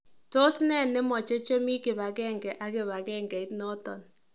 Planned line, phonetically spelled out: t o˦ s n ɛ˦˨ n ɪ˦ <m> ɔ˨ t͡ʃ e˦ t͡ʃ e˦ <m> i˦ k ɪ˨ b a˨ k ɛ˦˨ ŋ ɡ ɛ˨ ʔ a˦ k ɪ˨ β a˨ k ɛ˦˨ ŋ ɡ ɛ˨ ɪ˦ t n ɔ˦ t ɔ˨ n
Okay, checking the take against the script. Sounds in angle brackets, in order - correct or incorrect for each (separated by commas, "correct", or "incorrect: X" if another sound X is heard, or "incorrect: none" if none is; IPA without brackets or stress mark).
correct, correct